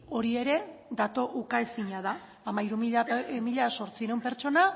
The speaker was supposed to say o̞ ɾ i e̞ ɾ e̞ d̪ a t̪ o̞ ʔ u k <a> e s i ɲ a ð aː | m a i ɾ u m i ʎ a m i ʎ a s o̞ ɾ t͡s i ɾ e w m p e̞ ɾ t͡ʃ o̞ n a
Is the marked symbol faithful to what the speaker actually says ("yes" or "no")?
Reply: yes